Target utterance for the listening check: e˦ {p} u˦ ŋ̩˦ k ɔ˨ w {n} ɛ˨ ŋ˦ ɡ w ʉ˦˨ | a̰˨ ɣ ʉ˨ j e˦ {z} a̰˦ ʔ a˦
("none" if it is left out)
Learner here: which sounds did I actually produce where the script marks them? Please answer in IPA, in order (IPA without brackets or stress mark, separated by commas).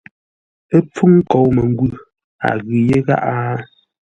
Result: p͡f, m, ɣ